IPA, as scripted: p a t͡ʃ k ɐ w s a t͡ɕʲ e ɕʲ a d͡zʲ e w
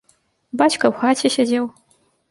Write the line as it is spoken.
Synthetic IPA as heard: b a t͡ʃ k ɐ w x a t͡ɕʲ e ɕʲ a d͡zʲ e w